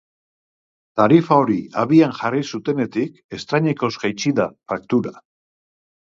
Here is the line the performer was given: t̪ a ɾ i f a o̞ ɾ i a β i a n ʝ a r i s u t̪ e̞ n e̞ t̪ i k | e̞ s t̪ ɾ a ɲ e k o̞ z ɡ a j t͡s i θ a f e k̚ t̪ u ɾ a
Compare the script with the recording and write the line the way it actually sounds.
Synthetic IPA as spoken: t̪ a ɾ i f a o̞ ɾ i a β i a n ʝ a r i s u t̪ e̞ n e̞ t̪ i k | e̞ s t̪ ɾ a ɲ e k o̞ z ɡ a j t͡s i ð a f a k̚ t̪ u ɾ a